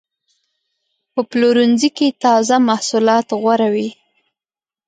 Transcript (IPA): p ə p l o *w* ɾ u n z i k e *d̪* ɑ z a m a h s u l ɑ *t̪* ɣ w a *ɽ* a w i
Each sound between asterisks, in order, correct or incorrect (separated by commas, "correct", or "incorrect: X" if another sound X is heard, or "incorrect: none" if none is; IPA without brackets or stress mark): incorrect: none, incorrect: t̪, correct, incorrect: ɾ